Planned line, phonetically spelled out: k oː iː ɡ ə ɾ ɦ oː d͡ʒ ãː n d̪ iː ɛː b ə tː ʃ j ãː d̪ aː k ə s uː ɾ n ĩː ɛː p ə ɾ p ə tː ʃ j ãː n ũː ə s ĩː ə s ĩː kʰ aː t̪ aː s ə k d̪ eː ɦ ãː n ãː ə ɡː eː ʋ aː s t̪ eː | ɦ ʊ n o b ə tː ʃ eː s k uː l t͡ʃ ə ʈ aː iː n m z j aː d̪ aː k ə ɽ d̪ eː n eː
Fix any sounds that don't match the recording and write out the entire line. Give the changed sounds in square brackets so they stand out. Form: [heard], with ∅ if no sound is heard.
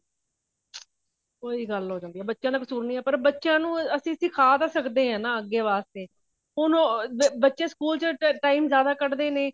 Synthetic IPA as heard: k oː iː ɡ ə [l] ɦ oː d͡ʒ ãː n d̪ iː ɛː b ə tː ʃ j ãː d̪ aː k ə s uː ɾ n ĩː ɛː p ə ɾ [b] ə tː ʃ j ãː n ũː ə s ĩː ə s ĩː kʰ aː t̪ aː s ə k d̪ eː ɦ ãː n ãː ə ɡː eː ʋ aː s t̪ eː | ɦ ʊ n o b ə tː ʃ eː s k uː l t͡ʃ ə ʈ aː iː [∅] m z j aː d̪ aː k ə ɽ d̪ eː n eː